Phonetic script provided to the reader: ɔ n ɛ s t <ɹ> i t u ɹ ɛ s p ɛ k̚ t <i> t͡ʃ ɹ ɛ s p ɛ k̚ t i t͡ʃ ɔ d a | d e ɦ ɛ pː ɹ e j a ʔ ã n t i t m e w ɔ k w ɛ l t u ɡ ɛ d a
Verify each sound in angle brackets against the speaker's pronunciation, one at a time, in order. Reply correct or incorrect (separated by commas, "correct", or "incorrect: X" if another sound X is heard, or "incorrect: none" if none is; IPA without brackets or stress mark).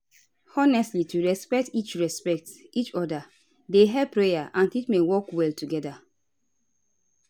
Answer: incorrect: l, correct